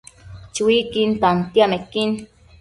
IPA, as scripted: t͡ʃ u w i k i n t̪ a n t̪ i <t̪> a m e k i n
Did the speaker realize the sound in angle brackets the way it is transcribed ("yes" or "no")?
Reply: no